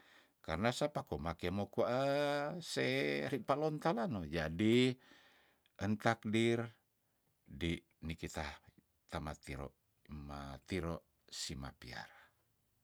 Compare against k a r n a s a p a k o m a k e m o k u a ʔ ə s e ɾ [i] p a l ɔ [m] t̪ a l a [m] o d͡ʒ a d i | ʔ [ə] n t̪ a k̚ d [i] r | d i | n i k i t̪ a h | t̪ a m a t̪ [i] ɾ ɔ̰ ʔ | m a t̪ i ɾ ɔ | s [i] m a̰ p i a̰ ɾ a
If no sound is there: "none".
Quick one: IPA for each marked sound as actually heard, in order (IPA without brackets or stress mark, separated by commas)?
i, n, n, ə, i, i, i